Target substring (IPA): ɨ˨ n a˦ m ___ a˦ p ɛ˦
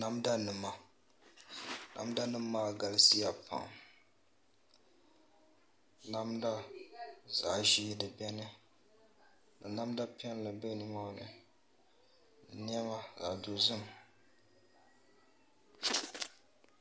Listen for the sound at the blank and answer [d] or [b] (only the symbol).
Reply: d